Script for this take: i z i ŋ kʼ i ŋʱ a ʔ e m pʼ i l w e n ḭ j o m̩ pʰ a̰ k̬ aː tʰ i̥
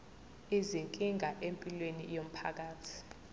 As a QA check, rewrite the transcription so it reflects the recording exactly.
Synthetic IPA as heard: i z i ŋ kʼ i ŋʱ a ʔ e m pʼ i l w e n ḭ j o m̩ pʰ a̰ k̬ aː tʰ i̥